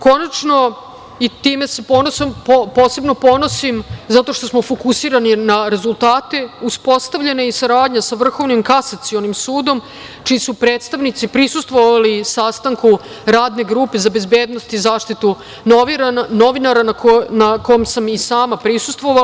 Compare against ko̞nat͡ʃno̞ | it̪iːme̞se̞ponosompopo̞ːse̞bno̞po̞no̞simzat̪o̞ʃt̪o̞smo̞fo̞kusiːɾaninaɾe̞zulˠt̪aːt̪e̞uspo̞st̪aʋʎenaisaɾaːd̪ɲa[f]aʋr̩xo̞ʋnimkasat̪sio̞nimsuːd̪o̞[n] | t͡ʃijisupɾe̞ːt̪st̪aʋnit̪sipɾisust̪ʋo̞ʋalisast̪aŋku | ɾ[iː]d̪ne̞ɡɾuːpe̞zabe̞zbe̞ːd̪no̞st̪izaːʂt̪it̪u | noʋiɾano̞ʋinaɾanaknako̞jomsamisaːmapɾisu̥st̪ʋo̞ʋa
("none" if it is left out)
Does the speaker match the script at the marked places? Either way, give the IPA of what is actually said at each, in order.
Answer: s, m, aː

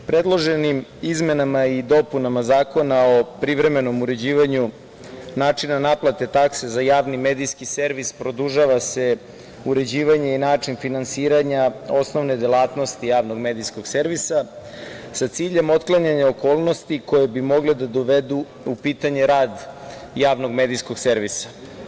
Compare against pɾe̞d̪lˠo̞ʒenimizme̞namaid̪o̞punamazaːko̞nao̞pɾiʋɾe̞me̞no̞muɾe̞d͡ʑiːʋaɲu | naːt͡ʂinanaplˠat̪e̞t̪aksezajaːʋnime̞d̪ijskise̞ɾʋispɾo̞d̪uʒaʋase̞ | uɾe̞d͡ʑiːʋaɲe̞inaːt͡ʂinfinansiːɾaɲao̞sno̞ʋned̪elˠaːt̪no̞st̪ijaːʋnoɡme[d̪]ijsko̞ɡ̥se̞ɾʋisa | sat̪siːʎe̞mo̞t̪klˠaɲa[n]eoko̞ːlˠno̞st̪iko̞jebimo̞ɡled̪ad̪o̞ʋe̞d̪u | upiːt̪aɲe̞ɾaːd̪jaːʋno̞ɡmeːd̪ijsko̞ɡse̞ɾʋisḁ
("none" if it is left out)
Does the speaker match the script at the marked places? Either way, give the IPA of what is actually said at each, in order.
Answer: d̪, ɲ

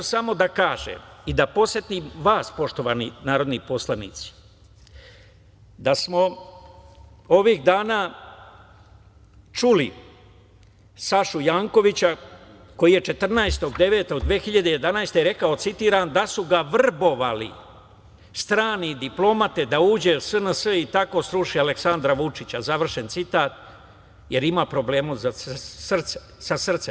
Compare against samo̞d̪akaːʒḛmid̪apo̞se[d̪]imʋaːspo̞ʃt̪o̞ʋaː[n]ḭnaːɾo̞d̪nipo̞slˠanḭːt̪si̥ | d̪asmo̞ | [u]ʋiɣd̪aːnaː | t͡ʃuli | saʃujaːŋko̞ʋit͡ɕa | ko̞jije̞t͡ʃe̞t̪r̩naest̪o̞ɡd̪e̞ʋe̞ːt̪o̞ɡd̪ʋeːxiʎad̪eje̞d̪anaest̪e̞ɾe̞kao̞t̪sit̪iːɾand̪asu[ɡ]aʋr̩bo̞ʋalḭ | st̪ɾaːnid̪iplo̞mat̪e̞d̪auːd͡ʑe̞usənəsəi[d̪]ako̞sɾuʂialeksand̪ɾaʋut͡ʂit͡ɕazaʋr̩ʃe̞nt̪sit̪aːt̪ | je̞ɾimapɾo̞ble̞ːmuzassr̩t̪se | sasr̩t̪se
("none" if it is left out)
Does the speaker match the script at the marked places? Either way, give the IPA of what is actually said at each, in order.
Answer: t̪, n, o, ɡ, t̪

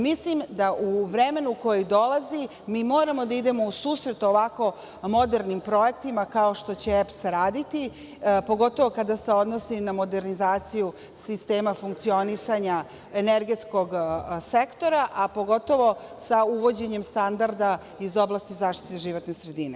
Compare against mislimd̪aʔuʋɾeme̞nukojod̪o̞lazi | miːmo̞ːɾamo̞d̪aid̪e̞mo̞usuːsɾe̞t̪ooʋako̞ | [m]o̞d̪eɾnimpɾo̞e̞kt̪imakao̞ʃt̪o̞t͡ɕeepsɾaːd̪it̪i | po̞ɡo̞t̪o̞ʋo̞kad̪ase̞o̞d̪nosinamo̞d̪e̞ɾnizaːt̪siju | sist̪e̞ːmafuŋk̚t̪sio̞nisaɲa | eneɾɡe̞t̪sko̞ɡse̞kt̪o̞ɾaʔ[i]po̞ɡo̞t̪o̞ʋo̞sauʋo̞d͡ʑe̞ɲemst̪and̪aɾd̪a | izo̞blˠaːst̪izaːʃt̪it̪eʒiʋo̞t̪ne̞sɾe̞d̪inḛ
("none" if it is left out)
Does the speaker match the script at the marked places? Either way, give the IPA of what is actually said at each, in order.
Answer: m, a

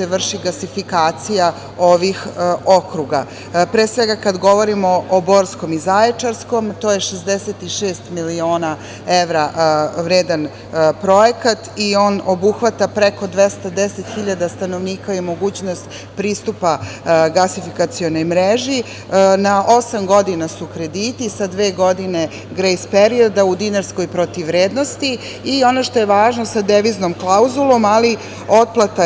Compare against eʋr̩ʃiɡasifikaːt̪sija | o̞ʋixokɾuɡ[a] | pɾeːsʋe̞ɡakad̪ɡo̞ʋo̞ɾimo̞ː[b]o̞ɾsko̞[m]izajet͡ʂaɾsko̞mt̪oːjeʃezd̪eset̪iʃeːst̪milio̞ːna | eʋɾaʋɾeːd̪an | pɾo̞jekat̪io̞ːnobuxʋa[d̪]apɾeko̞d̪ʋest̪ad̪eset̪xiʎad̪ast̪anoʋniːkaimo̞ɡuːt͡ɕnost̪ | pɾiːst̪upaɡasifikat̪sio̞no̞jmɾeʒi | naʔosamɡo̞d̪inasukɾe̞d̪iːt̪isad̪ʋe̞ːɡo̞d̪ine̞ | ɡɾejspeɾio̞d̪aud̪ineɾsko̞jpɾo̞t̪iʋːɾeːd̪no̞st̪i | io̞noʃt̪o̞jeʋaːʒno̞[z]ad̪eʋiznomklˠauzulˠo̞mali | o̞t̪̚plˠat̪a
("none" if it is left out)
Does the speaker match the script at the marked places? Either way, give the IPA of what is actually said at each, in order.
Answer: a, b, m, t̪, s

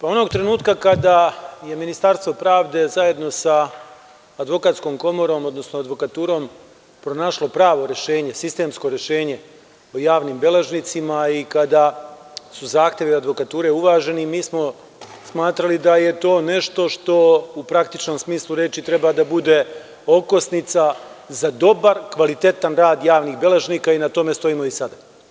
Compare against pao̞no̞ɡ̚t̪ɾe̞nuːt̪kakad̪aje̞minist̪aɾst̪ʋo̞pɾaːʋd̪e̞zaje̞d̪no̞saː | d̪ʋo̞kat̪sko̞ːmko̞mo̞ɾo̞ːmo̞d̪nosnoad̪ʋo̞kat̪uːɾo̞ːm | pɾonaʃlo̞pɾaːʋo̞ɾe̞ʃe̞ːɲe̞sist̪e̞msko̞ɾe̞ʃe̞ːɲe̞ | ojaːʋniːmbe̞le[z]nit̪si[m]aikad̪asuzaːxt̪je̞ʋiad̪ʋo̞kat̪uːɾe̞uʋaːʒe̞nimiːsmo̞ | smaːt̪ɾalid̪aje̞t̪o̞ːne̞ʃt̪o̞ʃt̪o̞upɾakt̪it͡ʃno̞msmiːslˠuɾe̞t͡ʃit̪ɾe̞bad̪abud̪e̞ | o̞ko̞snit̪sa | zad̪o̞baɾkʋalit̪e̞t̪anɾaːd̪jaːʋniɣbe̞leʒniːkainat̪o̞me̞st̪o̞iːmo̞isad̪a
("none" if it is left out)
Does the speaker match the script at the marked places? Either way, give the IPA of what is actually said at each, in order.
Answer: ʒ, m

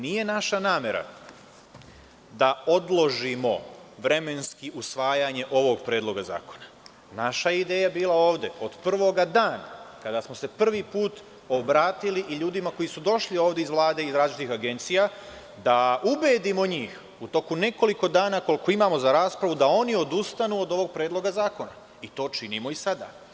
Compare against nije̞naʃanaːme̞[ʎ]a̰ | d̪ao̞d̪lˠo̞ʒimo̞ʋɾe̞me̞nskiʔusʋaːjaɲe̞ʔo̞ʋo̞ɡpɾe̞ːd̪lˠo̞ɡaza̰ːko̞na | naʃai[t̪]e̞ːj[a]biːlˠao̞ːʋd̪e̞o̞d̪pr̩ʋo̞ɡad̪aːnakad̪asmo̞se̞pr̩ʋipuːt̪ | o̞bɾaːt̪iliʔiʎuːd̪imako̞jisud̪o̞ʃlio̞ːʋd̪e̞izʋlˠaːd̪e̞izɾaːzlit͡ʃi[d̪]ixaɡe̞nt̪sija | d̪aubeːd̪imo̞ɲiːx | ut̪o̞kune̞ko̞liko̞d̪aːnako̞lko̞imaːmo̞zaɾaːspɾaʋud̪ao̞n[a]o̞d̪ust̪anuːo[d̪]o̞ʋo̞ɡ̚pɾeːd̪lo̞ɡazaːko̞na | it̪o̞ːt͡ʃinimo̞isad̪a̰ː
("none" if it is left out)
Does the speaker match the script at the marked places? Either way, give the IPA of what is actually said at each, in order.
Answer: ɾ, d̪, a, t̪, i, d̪

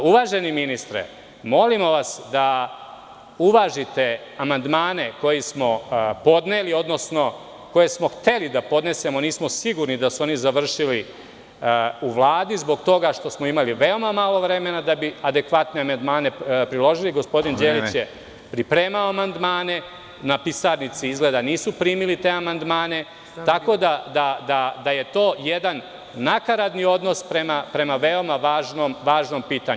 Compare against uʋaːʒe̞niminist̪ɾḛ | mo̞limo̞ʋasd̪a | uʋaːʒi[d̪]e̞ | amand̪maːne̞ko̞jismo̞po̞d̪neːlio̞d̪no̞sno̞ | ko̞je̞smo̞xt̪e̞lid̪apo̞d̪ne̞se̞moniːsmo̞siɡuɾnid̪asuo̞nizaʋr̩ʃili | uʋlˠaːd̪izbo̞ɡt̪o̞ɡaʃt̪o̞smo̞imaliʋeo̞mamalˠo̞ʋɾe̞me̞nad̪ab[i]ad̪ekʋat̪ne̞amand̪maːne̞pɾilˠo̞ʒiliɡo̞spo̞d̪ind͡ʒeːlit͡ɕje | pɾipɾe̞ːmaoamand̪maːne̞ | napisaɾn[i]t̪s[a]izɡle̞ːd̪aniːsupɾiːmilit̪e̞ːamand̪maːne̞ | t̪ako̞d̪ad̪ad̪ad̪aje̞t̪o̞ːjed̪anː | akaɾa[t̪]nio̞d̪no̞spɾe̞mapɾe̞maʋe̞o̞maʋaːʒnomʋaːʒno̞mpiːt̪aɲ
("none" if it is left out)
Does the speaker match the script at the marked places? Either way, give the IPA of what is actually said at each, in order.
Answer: t̪, i, i, i, d̪

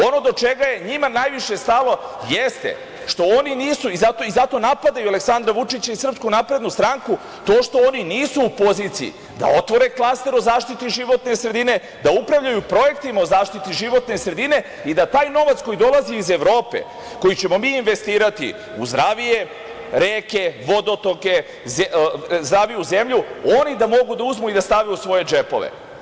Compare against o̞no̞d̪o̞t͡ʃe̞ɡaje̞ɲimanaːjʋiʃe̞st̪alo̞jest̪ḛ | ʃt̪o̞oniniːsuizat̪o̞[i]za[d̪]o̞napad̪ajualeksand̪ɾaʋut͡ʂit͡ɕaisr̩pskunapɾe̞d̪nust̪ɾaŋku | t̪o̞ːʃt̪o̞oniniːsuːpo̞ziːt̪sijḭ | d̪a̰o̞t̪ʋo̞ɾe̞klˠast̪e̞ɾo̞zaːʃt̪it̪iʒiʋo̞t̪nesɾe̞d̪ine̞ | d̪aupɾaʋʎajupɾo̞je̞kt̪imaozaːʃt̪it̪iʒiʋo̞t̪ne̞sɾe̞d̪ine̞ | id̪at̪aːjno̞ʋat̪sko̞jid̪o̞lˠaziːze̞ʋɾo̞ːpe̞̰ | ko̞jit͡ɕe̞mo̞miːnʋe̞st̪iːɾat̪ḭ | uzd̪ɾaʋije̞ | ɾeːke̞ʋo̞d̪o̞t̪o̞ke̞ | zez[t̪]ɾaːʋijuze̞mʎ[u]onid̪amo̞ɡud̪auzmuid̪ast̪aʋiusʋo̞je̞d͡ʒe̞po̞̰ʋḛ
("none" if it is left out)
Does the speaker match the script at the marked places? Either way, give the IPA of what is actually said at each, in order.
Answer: i, t̪, d̪, u

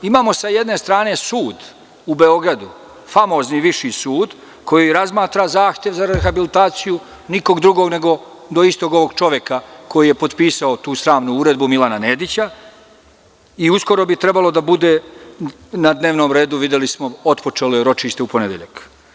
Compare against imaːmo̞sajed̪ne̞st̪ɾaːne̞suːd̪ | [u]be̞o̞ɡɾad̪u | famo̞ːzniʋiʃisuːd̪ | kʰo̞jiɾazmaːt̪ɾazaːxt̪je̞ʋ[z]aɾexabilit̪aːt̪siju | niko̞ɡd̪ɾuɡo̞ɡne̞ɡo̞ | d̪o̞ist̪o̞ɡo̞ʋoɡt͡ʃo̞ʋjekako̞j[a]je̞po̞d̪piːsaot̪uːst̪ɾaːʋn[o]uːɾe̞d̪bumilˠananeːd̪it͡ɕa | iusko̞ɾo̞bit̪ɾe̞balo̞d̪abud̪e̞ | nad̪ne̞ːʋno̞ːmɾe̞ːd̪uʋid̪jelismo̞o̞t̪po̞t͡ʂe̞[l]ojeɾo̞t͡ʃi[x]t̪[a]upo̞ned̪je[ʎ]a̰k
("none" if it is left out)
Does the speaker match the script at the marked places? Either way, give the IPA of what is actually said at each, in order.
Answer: u, z, i, u, l, ʃ, e, ʎ

